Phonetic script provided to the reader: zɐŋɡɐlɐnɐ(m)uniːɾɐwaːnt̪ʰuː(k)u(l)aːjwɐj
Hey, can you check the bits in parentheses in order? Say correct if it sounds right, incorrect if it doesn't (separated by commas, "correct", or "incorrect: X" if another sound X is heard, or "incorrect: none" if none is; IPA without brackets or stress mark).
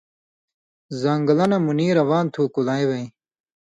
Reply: correct, correct, correct